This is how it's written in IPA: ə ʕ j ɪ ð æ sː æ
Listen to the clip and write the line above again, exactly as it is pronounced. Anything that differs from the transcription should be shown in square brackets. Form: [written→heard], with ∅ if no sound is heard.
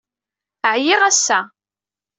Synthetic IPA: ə ʕ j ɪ [ð→ʁ] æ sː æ